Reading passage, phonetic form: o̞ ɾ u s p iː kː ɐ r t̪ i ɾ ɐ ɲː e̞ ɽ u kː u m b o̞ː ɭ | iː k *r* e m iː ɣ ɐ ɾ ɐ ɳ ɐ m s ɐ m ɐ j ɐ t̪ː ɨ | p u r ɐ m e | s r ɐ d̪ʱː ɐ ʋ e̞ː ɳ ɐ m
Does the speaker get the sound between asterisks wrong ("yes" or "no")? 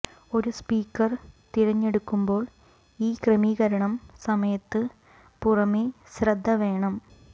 no